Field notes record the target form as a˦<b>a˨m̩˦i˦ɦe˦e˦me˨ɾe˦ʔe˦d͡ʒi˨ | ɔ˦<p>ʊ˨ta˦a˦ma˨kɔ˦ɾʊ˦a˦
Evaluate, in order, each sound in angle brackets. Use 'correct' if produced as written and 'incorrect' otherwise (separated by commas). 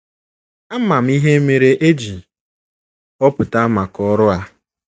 incorrect, correct